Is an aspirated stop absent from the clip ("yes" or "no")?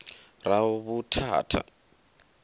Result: no